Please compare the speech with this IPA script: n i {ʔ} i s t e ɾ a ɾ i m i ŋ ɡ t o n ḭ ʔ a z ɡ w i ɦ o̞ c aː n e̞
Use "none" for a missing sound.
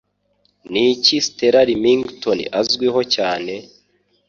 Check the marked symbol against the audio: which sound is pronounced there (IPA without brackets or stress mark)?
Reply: c